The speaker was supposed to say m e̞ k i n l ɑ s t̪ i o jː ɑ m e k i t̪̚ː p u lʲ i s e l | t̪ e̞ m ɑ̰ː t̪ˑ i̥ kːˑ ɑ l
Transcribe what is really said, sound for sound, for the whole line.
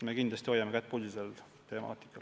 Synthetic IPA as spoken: m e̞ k i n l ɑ s t̪ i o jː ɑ m e k æ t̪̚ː p u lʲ i s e l | t̪ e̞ m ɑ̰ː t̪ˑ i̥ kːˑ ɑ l